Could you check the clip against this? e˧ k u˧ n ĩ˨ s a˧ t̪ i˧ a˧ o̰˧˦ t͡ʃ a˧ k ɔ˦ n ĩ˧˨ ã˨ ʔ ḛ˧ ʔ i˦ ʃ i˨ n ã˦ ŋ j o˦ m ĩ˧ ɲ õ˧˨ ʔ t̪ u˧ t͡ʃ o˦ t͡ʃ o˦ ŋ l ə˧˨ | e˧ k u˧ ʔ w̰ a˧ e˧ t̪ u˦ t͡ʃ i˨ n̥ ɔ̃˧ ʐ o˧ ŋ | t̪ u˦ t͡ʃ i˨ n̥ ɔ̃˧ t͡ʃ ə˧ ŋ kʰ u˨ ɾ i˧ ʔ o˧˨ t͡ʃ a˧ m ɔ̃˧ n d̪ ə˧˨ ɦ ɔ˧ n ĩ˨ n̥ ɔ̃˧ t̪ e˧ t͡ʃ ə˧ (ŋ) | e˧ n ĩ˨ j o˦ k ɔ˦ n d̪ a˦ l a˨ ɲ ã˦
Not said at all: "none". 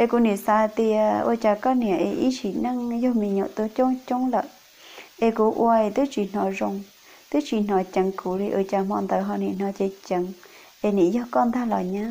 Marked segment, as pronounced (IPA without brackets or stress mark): ŋ